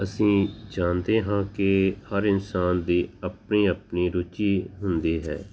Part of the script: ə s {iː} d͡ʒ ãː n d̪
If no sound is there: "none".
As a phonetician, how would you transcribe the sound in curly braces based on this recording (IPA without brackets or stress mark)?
ĩː